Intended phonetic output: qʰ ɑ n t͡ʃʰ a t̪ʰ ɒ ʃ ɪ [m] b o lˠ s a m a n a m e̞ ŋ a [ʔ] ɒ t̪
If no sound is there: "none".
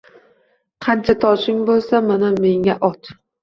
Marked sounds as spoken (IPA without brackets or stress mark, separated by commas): ŋ, ʔ